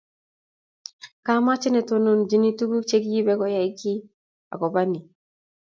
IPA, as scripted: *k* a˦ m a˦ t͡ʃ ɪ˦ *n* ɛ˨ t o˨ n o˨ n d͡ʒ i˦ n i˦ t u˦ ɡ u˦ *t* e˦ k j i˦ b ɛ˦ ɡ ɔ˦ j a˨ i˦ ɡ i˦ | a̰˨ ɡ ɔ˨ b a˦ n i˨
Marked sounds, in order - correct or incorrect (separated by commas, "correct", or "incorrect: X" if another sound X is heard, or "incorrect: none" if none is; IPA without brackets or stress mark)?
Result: correct, correct, incorrect: t͡ʃ